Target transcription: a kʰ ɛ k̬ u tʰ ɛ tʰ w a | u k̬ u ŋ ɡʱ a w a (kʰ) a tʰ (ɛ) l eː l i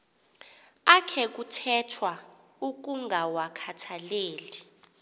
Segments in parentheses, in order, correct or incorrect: correct, incorrect: a

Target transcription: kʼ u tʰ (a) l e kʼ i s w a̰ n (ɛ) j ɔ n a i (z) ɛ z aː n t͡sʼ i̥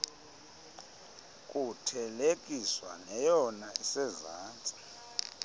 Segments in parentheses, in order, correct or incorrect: incorrect: ɛ, correct, incorrect: s

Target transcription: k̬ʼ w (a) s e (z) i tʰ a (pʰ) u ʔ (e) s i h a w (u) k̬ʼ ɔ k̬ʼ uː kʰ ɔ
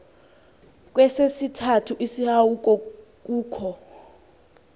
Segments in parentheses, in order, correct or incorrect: incorrect: ɛ, incorrect: s, incorrect: tʰ, incorrect: i, correct

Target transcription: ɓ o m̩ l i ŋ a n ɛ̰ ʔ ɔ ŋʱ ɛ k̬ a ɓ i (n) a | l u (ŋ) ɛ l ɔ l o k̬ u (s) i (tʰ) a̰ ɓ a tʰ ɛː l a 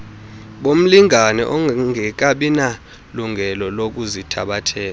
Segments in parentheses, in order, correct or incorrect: correct, correct, incorrect: z, correct

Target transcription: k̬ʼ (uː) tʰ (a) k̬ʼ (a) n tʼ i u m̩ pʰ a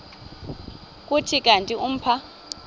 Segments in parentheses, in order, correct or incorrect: incorrect: u, incorrect: i, correct

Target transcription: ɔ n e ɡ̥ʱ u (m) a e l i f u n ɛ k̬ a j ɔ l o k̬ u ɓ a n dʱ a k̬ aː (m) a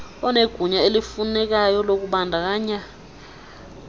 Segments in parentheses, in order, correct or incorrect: incorrect: ɲ, incorrect: ɲ

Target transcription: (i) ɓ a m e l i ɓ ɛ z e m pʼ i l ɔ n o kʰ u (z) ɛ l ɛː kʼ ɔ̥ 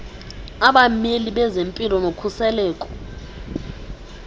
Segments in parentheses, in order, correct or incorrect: incorrect: a, incorrect: s

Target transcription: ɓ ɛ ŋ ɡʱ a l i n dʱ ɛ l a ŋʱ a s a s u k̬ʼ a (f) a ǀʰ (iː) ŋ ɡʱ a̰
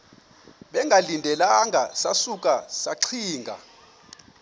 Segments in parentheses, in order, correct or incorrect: incorrect: s, correct

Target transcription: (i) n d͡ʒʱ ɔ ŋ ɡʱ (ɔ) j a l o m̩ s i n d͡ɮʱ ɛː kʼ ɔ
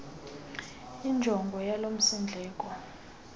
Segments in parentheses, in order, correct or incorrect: correct, correct

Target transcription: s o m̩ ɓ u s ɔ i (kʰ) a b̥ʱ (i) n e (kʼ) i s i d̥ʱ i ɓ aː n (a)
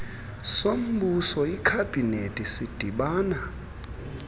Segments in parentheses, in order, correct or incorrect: correct, correct, incorrect: tʼ, correct

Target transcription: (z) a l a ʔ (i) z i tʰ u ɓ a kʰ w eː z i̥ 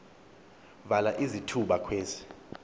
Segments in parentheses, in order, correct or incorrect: incorrect: v, correct

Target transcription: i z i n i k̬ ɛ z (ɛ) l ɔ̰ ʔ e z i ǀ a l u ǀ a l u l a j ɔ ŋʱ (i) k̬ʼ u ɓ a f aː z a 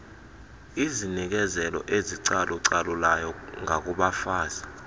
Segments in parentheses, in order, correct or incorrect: correct, incorrect: a

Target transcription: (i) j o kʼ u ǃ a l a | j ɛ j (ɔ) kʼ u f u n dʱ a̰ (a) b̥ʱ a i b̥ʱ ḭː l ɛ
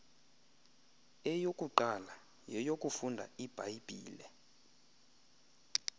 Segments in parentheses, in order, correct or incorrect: incorrect: ɛ, incorrect: o, incorrect: i

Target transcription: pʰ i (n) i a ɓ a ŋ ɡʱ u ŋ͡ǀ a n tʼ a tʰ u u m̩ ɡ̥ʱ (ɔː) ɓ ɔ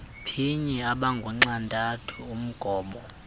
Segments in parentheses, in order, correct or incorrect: incorrect: ɲ, correct

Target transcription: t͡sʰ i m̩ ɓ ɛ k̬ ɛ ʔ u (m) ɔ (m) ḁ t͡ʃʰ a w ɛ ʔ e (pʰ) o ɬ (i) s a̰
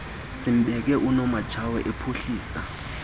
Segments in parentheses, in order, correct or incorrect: incorrect: n, correct, correct, incorrect: iː

